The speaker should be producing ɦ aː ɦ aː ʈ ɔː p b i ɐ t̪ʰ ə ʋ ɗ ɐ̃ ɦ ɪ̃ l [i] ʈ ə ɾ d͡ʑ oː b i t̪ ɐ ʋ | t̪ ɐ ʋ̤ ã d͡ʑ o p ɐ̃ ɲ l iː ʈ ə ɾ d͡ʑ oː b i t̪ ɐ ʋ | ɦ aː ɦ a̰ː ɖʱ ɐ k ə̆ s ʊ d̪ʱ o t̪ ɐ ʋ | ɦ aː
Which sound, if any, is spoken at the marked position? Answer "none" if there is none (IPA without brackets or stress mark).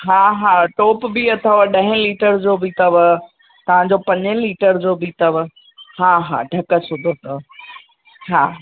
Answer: iː